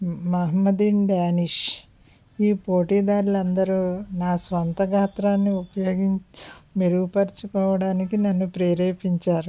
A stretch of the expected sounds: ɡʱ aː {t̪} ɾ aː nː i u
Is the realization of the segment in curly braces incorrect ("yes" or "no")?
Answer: no